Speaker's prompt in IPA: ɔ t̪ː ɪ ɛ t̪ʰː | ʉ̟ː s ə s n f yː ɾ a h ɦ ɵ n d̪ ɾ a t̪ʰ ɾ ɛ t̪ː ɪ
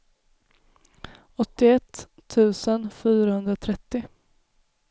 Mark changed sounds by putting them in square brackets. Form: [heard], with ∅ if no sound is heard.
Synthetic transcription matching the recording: ɔ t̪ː ɪ ɛ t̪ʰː | ʉ̟ː s ə [∅] n f yː ɾ a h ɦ ɵ n d̪ ɾ a t̪ʰ ɾ ɛ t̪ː ɪ